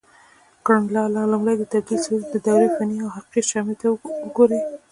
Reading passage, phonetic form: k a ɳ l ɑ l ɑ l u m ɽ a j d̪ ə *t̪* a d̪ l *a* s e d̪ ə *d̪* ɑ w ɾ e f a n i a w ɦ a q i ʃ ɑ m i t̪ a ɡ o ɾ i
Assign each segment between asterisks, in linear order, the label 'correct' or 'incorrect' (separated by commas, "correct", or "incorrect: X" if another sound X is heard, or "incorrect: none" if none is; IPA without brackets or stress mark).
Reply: correct, incorrect: i, correct